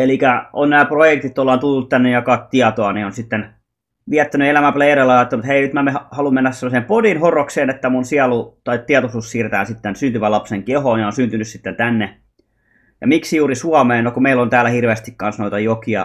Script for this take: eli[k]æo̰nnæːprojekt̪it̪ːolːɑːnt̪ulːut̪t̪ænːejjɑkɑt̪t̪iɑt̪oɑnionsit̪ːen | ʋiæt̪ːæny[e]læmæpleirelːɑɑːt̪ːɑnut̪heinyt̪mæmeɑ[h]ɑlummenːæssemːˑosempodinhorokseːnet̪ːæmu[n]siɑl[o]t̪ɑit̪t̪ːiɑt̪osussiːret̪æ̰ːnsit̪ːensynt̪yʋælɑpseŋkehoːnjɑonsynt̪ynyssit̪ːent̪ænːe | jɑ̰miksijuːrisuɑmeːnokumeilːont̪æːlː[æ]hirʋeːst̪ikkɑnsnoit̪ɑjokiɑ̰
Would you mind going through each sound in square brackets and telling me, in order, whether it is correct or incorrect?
correct, correct, correct, correct, incorrect, correct

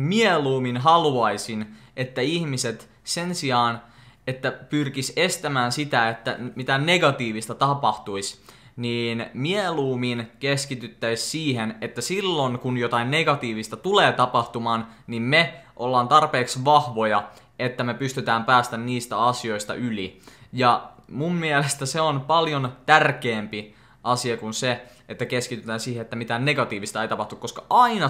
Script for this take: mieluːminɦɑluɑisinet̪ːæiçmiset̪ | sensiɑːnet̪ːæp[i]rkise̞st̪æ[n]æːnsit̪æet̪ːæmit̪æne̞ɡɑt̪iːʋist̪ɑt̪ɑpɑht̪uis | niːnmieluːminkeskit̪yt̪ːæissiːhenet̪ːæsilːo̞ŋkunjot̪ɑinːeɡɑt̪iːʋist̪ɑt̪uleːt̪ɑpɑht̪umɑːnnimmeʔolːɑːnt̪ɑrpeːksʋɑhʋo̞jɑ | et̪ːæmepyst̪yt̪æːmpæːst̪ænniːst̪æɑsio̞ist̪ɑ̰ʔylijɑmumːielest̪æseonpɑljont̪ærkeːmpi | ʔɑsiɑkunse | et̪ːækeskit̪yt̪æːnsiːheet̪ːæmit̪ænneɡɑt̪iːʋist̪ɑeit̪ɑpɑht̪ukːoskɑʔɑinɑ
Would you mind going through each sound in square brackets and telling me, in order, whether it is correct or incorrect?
incorrect, incorrect

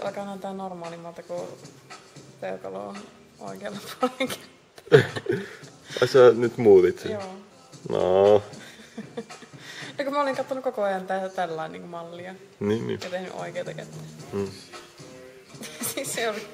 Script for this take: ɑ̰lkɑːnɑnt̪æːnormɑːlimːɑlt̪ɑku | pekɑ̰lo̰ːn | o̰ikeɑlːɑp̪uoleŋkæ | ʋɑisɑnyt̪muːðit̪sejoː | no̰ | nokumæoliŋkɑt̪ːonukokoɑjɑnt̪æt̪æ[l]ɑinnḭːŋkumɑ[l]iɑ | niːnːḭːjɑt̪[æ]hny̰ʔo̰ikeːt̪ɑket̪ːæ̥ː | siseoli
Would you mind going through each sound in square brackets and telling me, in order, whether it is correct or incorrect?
incorrect, incorrect, incorrect

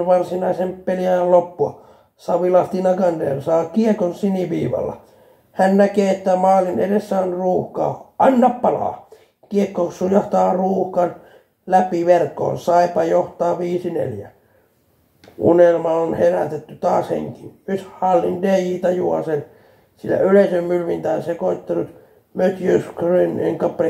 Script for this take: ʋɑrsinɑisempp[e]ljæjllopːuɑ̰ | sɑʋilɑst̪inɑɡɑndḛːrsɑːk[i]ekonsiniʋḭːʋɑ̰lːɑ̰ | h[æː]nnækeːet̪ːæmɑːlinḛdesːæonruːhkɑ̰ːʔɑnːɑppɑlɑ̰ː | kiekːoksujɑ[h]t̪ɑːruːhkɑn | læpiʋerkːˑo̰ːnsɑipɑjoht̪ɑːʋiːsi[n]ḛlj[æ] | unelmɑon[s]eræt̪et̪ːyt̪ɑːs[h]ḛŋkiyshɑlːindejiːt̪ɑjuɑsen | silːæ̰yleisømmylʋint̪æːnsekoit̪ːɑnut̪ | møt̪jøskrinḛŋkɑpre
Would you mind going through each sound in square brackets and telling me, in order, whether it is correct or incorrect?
correct, correct, incorrect, correct, correct, correct, incorrect, correct

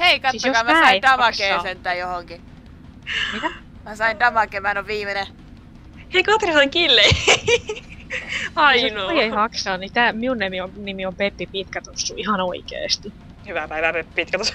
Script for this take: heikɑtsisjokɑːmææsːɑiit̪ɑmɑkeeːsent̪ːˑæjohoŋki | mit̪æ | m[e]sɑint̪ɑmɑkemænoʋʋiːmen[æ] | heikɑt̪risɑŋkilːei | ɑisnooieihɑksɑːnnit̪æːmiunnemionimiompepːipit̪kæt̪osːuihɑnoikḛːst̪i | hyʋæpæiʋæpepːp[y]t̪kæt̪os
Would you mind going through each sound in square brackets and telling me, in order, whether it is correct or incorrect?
incorrect, incorrect, incorrect

